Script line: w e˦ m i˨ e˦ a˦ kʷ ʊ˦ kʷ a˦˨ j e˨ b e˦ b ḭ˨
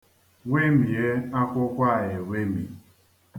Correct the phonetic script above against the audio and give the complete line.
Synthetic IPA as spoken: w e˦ m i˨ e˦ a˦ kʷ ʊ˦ kʷ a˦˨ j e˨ w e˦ m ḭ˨